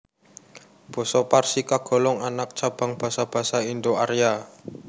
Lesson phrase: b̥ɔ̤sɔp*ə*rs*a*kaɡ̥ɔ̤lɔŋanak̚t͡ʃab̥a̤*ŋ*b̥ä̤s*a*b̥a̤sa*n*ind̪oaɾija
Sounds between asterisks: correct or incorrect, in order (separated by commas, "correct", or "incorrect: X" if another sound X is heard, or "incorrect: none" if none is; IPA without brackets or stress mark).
incorrect: a, incorrect: i, correct, correct, incorrect: none